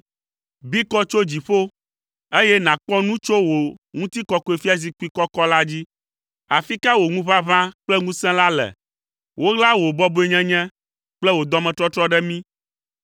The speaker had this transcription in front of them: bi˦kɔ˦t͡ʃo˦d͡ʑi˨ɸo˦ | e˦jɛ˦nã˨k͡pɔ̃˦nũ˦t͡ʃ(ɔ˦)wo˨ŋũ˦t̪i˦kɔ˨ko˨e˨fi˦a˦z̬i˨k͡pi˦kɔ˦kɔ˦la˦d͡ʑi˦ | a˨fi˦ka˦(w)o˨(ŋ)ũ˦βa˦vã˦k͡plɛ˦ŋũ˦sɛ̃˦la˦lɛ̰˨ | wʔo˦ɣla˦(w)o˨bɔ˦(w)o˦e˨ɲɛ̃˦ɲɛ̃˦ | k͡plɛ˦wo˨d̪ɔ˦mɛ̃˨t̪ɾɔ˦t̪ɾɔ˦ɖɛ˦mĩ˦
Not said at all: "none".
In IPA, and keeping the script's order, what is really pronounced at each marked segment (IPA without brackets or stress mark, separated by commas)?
o˦, w, ŋ, w, b